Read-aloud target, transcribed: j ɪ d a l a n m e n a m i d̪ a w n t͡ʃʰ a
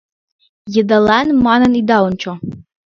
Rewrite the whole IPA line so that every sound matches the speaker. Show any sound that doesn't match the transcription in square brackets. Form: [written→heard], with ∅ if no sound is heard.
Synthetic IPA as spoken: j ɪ d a l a n m [e→a] n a [m→n] i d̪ a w n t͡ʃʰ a